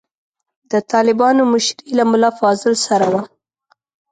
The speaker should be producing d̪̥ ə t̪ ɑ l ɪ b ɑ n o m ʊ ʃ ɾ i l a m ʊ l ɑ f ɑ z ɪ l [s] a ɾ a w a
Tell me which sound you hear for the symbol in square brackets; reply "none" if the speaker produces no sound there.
s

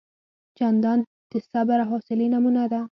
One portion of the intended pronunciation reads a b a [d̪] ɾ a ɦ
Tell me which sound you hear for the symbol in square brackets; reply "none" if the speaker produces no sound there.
none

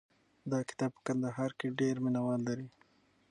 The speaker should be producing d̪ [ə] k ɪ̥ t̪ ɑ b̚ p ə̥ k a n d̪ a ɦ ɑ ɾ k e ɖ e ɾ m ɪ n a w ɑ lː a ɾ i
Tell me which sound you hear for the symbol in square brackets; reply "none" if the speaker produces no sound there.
ɑ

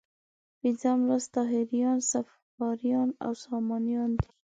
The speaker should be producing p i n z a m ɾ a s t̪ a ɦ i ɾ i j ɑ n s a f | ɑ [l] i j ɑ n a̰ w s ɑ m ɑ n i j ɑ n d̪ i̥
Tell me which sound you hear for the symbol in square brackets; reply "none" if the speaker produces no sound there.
ɾ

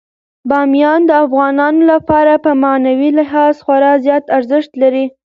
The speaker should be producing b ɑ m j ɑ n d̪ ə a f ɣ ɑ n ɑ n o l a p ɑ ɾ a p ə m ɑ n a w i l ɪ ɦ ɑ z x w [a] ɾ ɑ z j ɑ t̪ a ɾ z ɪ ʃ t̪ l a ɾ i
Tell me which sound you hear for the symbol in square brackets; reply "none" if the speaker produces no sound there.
a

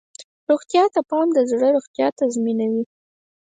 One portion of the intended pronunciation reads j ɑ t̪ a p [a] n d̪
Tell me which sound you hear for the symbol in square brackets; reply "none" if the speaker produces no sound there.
ɑ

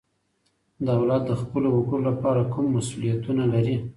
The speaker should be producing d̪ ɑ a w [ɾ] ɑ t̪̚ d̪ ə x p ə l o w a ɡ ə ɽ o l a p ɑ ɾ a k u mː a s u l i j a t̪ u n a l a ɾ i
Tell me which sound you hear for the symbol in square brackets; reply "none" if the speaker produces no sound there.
l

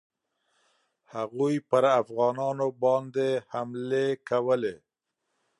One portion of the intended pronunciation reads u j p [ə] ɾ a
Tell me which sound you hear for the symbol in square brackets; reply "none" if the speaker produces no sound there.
ə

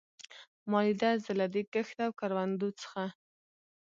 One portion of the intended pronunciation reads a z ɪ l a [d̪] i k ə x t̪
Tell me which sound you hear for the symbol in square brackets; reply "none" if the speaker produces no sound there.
d̪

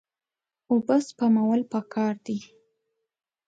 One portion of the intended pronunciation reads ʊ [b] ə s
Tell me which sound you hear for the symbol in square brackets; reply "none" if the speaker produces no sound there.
b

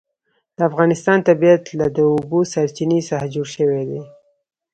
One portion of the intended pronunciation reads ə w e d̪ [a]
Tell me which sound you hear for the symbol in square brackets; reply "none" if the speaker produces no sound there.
e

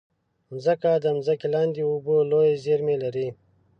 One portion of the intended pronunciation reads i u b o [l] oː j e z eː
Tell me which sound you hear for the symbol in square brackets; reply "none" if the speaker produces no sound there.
l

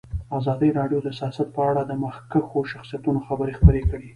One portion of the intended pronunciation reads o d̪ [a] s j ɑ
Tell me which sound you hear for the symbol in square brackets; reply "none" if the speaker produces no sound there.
ə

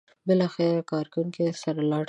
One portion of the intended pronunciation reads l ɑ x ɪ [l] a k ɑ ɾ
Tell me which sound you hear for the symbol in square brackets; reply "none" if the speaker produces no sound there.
ɾ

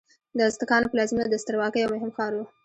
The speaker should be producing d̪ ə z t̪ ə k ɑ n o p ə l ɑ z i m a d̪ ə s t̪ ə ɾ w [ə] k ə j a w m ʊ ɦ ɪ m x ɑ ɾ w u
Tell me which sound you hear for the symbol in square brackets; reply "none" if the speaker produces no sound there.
ɑ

